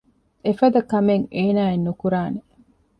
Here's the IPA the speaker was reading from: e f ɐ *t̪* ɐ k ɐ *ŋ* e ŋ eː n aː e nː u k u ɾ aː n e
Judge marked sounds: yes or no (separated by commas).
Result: no, no